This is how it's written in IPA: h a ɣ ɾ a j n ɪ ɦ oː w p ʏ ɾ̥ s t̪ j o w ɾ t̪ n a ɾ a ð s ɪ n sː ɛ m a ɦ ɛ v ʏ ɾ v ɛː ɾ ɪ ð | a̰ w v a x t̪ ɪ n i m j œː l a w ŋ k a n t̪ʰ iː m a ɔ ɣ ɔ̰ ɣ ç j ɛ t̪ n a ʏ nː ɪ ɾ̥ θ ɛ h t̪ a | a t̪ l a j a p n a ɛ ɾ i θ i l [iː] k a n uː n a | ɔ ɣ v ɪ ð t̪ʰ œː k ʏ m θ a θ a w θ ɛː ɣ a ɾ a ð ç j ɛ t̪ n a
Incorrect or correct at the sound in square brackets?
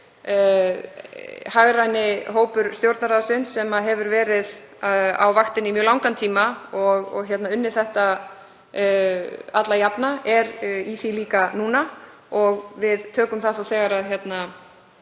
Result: correct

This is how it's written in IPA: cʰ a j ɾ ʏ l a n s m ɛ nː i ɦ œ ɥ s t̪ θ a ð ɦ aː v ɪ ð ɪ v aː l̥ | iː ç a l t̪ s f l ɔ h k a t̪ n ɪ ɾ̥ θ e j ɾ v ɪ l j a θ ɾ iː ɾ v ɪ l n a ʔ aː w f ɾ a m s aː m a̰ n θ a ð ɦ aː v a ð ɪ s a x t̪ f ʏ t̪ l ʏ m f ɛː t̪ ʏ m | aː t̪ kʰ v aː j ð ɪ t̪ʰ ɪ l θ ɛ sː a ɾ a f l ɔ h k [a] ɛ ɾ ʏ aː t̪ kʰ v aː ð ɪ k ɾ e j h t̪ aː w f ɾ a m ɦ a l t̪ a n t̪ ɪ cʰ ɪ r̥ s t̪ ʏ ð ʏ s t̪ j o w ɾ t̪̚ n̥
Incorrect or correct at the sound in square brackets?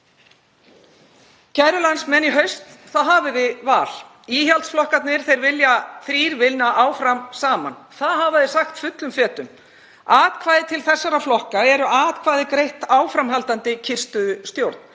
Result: correct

